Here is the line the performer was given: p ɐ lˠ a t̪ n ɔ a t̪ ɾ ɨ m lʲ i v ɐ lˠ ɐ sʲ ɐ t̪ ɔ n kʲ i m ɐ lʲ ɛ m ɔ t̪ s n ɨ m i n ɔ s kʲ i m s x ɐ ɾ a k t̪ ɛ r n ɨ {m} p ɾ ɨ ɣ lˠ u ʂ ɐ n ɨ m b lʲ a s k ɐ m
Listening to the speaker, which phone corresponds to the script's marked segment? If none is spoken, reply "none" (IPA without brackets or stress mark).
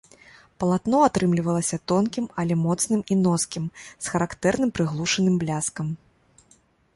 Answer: m